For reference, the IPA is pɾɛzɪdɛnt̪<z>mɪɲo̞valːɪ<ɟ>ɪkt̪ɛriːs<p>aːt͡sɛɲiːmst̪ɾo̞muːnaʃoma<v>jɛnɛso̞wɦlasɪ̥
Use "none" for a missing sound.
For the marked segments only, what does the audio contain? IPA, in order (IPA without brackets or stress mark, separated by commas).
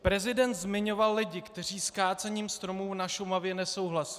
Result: z, ɟ, k, v